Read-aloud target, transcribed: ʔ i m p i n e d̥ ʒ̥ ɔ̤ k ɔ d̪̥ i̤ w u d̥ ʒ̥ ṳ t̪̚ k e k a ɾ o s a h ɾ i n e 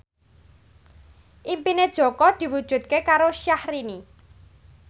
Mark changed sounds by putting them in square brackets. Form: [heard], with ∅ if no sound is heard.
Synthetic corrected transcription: ʔ i m p i n e d̥ ʒ̥ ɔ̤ k ɔ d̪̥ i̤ w u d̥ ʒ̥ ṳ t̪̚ k e k a ɾ o [ʃ] a h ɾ i n [i]